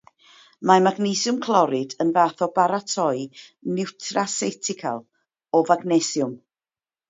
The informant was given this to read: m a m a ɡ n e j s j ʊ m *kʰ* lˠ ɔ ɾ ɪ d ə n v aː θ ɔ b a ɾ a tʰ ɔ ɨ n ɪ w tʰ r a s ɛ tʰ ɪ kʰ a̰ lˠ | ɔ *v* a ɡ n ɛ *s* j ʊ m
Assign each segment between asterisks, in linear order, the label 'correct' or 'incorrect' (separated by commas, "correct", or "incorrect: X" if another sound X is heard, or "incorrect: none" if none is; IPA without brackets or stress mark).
correct, correct, correct